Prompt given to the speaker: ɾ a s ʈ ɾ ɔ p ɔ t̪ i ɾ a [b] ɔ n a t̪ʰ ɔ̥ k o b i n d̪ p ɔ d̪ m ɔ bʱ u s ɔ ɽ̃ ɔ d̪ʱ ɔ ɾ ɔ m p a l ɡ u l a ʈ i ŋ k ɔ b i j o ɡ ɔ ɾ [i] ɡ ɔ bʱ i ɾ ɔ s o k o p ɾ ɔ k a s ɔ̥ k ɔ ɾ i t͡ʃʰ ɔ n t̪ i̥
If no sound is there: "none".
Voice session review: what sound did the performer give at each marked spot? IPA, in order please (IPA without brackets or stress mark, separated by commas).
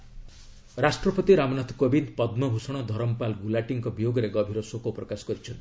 m, e